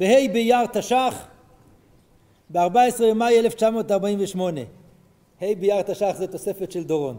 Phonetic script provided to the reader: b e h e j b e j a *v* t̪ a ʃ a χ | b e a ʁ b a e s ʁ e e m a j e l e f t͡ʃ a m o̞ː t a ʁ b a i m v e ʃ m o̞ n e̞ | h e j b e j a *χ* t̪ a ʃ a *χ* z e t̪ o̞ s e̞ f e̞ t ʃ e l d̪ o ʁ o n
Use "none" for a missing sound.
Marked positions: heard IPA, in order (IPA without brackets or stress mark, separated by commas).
ʁ, ʁ, χ